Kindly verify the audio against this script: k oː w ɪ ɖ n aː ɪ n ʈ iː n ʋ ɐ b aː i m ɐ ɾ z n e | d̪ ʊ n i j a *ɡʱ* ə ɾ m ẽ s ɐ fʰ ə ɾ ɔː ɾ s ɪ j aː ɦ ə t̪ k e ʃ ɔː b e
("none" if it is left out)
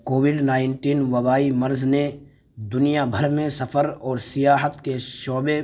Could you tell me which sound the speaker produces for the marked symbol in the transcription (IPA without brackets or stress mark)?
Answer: bʱ